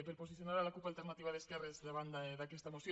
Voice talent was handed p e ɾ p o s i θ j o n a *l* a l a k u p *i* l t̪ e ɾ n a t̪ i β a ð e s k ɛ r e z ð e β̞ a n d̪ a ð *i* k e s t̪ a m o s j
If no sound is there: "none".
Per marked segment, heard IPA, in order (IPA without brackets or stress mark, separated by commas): ɾ, a, a